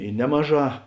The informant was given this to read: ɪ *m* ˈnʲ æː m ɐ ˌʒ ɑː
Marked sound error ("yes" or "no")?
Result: yes